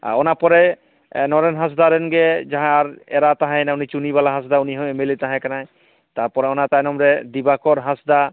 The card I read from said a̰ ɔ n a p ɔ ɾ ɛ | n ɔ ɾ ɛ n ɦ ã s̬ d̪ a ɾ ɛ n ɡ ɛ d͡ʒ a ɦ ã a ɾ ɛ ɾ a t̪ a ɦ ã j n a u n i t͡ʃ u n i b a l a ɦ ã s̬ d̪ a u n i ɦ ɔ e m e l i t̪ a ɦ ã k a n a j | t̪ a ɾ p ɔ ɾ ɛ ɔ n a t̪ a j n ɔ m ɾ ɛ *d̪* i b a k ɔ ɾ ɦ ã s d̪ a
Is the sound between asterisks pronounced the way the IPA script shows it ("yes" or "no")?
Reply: yes